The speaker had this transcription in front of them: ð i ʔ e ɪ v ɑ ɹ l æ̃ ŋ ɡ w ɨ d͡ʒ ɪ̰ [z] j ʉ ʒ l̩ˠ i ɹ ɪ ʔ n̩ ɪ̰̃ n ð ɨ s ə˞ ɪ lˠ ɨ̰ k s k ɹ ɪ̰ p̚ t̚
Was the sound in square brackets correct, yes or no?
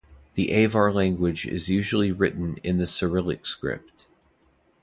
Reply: yes